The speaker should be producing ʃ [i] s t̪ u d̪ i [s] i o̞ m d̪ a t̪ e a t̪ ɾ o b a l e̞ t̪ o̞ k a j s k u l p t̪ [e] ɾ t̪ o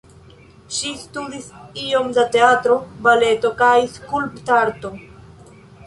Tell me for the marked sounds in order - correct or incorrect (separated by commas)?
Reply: correct, correct, incorrect